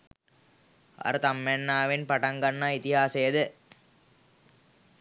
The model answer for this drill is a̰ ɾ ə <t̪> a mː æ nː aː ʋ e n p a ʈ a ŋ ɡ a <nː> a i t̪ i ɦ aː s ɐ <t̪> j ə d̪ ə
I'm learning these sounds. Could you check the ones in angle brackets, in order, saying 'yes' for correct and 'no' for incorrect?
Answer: yes, yes, no

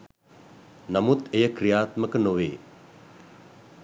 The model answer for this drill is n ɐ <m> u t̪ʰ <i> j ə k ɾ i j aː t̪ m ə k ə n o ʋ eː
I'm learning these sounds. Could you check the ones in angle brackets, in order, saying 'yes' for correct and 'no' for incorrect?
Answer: yes, no

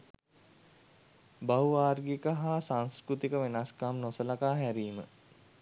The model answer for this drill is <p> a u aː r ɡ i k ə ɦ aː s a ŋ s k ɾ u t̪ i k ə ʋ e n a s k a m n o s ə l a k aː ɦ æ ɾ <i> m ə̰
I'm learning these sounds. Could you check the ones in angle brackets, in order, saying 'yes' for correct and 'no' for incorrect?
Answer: no, no

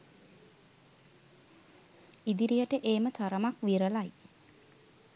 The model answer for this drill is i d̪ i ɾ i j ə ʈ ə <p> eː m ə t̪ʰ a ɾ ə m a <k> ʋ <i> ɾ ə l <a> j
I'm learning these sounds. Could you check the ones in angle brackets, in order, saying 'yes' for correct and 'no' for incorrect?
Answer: no, yes, yes, yes

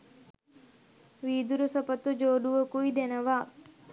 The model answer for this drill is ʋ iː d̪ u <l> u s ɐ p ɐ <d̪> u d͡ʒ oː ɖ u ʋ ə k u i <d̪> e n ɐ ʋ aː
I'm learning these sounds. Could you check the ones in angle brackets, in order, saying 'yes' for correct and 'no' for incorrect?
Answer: no, no, yes

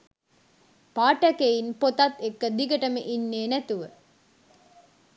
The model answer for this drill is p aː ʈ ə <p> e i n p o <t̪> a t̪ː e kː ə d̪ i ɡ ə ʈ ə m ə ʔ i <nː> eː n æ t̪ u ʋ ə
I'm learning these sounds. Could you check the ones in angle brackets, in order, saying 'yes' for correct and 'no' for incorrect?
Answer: no, yes, yes

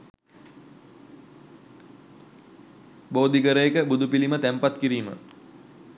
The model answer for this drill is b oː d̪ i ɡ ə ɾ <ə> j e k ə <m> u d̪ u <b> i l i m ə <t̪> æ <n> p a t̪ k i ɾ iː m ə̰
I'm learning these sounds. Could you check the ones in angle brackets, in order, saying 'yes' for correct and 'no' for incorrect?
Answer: yes, no, no, yes, no

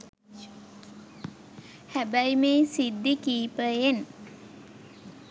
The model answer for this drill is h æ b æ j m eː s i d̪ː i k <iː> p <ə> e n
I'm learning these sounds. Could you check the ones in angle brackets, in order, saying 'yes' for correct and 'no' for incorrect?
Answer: yes, yes

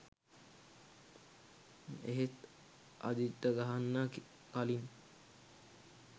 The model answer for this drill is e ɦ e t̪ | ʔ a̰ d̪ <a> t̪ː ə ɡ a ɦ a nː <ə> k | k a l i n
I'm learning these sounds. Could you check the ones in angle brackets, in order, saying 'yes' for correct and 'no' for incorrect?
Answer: no, no

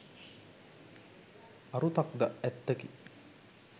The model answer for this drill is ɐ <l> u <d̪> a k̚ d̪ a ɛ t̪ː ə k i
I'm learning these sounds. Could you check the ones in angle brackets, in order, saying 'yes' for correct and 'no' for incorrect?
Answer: no, no

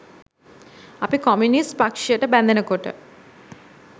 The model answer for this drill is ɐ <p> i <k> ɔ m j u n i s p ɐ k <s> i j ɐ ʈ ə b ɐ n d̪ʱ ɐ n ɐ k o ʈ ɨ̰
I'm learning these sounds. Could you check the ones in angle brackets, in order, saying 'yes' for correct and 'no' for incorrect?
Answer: yes, yes, no

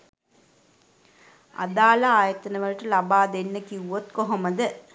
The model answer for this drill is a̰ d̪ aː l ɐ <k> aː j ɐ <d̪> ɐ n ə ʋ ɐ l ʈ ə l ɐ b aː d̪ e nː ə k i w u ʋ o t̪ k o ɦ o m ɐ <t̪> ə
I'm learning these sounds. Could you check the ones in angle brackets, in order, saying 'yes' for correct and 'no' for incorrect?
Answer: no, no, no

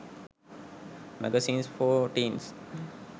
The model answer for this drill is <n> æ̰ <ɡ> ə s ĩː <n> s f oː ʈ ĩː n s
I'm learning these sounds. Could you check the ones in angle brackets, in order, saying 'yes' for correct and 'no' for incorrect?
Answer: no, yes, yes

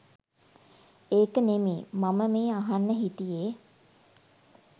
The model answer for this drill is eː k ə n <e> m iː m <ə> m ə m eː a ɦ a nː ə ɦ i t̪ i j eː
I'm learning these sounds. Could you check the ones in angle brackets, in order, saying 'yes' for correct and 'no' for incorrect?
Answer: yes, no

